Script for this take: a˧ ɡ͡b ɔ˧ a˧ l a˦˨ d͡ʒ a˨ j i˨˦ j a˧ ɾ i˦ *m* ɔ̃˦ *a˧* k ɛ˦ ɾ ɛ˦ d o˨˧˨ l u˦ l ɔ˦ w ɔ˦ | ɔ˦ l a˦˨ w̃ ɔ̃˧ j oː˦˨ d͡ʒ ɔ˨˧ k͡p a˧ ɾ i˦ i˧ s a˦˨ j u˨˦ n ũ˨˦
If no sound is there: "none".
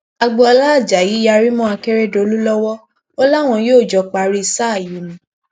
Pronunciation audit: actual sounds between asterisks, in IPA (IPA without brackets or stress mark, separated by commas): m, a˧